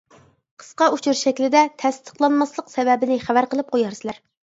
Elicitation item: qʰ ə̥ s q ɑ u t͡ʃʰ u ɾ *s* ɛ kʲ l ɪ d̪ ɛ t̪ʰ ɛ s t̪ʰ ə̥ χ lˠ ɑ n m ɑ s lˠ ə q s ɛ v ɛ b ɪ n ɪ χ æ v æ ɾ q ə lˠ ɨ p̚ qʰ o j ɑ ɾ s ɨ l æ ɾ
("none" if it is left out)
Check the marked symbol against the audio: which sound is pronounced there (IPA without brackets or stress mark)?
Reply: ʃ